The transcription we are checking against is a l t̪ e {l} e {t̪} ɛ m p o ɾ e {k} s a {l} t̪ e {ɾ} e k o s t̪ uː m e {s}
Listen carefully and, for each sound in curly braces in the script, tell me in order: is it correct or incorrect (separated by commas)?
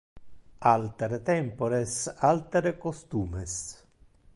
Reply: incorrect, correct, incorrect, correct, correct, correct